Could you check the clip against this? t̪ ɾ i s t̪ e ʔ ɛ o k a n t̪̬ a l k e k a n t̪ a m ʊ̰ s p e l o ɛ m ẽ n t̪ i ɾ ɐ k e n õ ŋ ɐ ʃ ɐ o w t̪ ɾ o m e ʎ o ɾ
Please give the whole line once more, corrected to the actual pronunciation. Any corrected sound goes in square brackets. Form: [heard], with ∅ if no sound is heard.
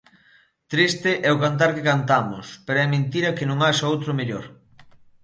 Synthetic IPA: t̪ ɾ i s t̪ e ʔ ɛ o k a n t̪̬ a [ɾ] k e k a n t̪ a m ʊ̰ s p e [ɾ] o ɛ m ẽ n t̪ i ɾ ɐ k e n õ ŋ [a] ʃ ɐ o w t̪ ɾ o m e ʎ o ɾ